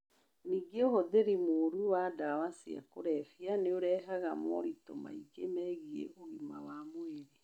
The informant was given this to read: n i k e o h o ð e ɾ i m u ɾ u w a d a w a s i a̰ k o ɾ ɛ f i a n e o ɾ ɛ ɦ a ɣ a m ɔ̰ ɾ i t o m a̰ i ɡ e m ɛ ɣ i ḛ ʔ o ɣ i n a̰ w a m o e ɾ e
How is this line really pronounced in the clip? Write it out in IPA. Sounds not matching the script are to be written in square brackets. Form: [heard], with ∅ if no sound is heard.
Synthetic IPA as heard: n i [ɡ] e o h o ð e ɾ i m [o] ɾ u w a d a w a s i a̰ k o ɾ ɛ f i a n e o ɾ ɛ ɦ a ɣ a m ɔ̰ ɾ i t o m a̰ i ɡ e m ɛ ɣ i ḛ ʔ o ɣ i [m] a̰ w a m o e ɾ e